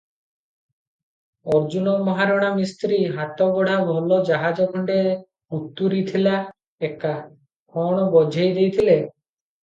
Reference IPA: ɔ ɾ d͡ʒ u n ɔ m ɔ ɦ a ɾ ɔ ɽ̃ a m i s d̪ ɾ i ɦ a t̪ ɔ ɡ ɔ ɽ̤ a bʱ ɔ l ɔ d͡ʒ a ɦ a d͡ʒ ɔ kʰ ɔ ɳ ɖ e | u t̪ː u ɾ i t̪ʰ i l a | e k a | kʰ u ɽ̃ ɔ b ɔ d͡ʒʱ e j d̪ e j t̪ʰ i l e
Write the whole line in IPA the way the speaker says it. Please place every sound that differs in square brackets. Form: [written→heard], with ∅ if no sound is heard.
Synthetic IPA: ɔ ɾ d͡ʒ u n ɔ m ɔ ɦ a ɾ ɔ ɽ̃ a m i s [d̪→t̪] ɾ i ɦ a t̪ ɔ ɡ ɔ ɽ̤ a bʱ ɔ l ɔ d͡ʒ a ɦ a d͡ʒ ɔ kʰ ɔ ɳ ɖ e | u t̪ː u ɾ i t̪ʰ i l a | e k a | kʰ [u→ɔ] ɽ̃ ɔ b ɔ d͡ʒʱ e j d̪ e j t̪ʰ i l e